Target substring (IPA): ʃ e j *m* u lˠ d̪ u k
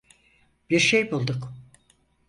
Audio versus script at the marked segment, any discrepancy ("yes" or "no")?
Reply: yes